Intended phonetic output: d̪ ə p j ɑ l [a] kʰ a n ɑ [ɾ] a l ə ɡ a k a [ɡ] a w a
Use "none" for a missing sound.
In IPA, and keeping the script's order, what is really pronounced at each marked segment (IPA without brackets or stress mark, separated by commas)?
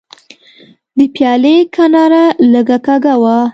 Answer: e, ɾ, ɡ